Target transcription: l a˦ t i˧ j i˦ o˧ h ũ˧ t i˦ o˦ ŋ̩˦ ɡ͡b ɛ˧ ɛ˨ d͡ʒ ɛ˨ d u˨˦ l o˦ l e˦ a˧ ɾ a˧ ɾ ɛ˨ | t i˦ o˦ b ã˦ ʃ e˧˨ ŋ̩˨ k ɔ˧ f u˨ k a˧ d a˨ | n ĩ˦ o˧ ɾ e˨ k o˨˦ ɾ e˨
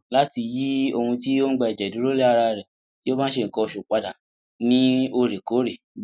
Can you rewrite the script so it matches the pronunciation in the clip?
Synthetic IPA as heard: l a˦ t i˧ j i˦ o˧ h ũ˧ t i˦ o˦ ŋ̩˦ ɡ͡b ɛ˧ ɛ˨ d͡ʒ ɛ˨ d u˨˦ ɾ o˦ l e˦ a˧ ɾ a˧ ɾ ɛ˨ | t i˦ o˦ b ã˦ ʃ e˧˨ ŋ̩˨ k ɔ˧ ʃ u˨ k͡p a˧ d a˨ | n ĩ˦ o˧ ɾ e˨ k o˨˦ ɾ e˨

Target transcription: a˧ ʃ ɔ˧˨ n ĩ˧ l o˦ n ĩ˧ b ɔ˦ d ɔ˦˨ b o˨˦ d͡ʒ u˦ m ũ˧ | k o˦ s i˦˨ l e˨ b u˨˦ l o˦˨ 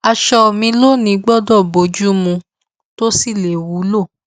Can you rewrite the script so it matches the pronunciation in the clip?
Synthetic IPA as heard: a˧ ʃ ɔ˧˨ m ĩ˧ l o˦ n ĩ˧ ɡ͡b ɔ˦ d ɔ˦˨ b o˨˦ d͡ʒ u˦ m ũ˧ | t o˦ s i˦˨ l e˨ w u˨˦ l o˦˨

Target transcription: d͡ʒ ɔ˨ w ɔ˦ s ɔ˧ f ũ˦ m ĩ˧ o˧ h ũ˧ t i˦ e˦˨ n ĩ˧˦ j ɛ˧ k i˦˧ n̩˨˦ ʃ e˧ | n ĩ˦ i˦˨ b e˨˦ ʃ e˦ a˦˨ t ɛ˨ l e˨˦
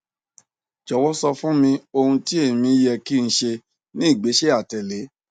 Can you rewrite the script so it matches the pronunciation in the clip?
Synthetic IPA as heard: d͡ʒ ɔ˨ w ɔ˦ s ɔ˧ f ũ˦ m ĩ˧ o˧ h ũ˧ t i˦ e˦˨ m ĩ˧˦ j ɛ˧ k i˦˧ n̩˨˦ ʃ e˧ | n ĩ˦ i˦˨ ɡ͡b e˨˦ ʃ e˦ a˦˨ t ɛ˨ l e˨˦

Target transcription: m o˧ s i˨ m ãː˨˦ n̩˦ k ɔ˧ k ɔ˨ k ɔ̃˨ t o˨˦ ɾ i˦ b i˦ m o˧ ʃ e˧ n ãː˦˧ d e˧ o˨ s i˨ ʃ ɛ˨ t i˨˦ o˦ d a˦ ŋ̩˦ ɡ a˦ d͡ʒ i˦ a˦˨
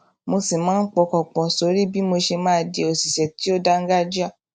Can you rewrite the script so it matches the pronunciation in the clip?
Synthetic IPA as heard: m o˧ s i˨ m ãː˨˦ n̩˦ k͡p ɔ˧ k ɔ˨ k͡p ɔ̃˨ s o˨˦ ɾ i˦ b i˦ m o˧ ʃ e˧ m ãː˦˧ d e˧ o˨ s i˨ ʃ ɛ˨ t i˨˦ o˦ d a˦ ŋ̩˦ ɡ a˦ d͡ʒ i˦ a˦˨

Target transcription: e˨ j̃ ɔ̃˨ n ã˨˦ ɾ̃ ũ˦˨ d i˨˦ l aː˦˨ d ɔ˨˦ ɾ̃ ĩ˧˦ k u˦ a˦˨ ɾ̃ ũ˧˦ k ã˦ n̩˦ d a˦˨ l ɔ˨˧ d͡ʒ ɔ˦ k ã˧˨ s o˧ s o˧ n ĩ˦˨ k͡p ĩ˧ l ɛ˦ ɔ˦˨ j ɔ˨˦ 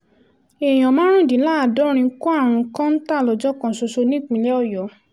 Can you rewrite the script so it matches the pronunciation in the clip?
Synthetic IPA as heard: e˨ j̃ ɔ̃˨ m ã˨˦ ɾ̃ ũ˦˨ d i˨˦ l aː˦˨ d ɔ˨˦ ɾ̃ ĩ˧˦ k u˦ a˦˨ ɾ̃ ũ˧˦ k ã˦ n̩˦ t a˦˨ l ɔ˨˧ d͡ʒ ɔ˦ k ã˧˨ s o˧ s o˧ n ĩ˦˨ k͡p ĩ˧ l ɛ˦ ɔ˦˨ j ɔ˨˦

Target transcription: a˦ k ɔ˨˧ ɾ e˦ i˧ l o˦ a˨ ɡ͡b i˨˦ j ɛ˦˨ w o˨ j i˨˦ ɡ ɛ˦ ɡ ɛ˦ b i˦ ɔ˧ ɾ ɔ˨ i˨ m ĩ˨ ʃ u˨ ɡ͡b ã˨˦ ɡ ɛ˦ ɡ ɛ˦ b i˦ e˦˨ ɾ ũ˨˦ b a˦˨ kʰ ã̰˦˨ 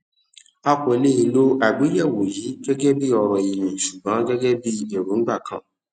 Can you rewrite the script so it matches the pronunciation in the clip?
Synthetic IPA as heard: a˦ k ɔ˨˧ l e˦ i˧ l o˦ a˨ ɡ͡b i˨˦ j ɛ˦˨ w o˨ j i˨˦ ɡ ɛ˦ ɡ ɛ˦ b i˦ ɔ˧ ɾ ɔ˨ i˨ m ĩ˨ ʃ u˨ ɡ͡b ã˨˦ ɡ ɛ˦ ɡ ɛ˦ b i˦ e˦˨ ɾ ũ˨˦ ɡ͡b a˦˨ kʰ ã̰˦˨

